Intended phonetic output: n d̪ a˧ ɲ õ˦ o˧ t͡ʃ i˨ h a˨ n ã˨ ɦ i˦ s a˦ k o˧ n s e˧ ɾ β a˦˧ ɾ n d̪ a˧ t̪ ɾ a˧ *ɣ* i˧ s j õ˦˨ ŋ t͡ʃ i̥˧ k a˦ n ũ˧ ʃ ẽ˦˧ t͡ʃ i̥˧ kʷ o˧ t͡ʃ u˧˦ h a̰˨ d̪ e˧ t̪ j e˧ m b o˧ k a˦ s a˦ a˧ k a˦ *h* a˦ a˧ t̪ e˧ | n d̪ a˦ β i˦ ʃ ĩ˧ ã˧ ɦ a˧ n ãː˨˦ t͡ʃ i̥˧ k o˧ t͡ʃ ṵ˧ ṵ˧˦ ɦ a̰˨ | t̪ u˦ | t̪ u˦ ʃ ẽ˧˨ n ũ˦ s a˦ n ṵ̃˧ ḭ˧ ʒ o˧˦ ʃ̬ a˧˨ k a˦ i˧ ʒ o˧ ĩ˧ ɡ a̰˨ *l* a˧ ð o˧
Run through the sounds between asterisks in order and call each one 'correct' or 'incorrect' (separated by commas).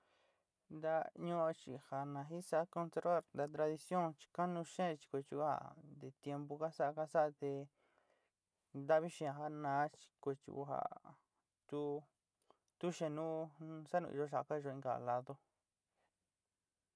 incorrect, incorrect, correct